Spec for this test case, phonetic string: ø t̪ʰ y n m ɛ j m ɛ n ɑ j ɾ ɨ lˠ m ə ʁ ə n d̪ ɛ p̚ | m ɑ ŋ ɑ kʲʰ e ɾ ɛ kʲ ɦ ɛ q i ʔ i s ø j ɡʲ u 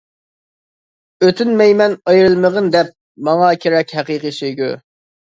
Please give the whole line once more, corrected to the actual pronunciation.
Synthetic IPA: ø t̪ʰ y n m ɛ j m ɛ n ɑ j ɾ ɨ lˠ m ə ʁ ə n d̪ ɛ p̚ | m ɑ ŋ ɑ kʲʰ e ɾ ɛ kʲ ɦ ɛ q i q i s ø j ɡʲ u